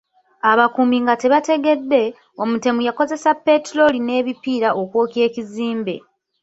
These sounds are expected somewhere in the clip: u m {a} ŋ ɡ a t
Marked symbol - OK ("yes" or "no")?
no